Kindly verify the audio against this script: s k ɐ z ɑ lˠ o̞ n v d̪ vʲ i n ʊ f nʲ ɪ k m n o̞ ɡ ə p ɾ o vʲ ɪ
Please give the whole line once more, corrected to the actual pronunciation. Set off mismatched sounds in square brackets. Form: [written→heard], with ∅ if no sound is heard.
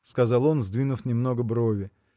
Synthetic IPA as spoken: s k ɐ z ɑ lˠ o̞ n [v→z] d̪ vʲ i n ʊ f nʲ ɪ [k→∅] m n o̞ ɡ ə [p→b] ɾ o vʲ ɪ